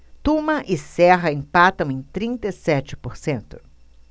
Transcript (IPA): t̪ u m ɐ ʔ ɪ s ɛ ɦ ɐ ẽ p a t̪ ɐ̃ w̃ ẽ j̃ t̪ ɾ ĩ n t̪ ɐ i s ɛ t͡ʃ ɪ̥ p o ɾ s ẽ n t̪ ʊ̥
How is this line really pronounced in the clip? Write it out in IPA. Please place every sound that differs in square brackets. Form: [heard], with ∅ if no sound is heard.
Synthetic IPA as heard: t̪ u m ɐ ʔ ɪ s ɛ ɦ ɐ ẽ p a t̪ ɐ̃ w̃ ẽ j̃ t̪ ɾ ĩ n t̪ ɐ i s ɛ t͡ʃ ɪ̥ p o ɾ s ẽ n t̪ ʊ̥